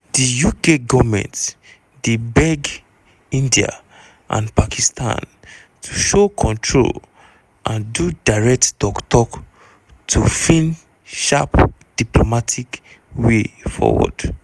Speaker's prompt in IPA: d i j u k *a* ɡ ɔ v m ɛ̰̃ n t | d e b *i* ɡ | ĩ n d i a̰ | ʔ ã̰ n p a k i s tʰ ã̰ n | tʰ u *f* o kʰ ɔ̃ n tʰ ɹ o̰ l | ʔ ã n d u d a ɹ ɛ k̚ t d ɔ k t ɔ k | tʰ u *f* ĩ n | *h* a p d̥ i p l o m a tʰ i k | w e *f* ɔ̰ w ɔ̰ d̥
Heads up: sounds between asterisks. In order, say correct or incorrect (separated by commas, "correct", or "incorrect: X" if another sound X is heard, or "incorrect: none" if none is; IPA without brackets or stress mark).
incorrect: e, incorrect: ɛ, incorrect: ʃ, correct, incorrect: ʃ, correct